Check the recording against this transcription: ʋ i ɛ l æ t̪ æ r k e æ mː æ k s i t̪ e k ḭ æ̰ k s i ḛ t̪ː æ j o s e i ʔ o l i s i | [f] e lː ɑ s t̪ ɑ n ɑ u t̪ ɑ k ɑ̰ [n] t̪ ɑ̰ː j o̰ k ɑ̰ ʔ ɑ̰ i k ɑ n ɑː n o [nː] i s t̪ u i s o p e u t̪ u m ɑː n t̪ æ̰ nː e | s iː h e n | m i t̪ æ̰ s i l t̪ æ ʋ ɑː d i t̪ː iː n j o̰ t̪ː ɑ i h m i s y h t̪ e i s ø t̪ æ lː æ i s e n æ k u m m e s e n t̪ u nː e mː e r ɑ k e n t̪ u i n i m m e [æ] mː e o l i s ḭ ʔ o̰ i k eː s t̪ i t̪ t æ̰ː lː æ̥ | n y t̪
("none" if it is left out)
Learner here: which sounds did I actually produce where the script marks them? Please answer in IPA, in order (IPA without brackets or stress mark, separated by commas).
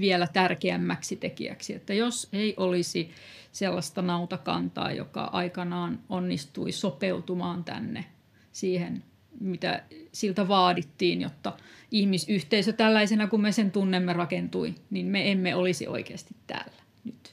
s, n, nː, e